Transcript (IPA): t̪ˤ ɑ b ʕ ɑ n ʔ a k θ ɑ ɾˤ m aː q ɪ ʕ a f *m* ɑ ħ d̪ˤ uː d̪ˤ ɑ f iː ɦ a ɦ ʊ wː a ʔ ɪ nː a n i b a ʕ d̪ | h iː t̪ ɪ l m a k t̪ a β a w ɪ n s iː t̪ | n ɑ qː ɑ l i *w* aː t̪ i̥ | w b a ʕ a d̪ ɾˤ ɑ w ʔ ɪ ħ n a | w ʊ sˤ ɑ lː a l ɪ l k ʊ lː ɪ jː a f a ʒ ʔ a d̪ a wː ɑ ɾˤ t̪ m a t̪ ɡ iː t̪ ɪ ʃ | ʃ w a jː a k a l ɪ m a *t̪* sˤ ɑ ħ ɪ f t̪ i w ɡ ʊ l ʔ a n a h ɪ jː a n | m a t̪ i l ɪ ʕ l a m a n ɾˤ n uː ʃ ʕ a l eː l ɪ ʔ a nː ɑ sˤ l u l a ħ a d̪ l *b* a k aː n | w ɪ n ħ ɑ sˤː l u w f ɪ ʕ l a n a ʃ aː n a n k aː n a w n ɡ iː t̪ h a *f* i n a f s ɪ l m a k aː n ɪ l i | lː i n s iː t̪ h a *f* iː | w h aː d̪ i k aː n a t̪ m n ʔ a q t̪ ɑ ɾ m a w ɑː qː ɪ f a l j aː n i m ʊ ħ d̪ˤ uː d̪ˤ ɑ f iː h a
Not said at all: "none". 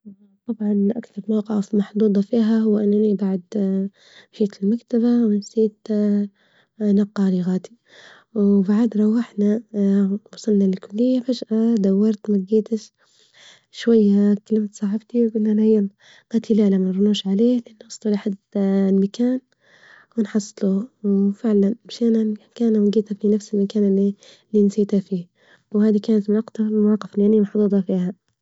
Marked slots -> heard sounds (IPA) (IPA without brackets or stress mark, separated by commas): m, ɣ, t̪, m, f, f